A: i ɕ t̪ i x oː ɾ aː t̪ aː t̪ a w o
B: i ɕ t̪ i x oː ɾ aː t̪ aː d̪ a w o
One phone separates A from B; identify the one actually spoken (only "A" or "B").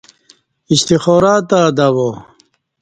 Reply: B